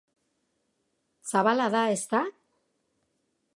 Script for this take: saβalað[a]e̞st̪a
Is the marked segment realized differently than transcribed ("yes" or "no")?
no